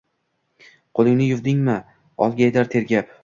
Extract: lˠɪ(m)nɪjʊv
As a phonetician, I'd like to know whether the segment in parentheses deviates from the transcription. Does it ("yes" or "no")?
yes